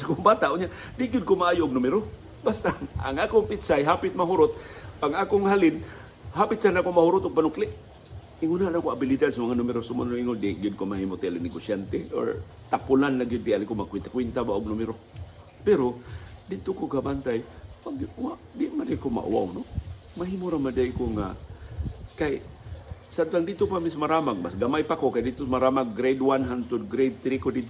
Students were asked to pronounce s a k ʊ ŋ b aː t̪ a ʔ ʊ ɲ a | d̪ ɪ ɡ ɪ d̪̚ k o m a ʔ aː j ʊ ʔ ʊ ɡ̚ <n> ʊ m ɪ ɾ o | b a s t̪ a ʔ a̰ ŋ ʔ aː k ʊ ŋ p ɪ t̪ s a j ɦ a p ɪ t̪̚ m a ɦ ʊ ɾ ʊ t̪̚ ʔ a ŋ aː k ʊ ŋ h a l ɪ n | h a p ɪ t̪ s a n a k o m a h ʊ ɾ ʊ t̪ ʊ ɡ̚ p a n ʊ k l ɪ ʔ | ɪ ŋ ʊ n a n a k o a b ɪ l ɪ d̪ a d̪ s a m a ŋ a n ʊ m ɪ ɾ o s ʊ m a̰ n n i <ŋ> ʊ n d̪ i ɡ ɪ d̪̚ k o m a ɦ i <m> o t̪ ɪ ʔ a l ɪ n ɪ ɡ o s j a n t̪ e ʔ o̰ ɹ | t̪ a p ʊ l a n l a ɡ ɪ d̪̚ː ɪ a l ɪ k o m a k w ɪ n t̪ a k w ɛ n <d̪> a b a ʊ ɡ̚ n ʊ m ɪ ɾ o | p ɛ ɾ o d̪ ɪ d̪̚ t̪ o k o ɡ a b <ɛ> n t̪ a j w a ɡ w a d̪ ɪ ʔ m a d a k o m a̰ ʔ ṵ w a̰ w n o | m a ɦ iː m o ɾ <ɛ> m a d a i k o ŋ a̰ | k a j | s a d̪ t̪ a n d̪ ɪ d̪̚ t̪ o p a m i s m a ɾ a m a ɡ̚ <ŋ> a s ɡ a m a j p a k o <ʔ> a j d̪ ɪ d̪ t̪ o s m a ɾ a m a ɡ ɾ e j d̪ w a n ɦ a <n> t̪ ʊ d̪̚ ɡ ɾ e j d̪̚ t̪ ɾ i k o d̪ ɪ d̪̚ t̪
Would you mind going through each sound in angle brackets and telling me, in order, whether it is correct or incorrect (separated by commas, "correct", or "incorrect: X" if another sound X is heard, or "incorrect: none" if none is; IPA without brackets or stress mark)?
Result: correct, correct, correct, incorrect: t̪, incorrect: a, incorrect: a, incorrect: m, incorrect: k, correct